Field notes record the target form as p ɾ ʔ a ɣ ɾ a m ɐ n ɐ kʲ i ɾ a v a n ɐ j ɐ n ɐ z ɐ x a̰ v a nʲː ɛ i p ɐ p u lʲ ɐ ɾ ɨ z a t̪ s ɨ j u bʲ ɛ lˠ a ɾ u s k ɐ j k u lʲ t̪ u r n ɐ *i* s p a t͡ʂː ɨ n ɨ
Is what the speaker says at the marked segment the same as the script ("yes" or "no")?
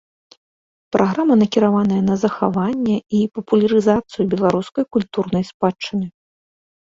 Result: no